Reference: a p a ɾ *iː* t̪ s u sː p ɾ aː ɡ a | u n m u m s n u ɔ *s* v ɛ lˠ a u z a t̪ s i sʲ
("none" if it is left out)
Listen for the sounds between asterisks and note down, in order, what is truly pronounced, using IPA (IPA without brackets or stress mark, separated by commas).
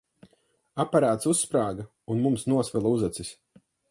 aː, s